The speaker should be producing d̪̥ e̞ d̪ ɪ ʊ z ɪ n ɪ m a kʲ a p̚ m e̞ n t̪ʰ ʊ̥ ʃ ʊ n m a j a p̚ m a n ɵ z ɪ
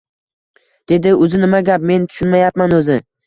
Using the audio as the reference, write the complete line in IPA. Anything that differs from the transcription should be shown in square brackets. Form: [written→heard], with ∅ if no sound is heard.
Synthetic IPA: d̪̥ e̞ d̪ ɪ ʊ z ɪ n ɪ m a [kʲ→ɡʲ] a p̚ m e̞ n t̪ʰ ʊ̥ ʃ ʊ n m a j a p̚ m a n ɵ z ɪ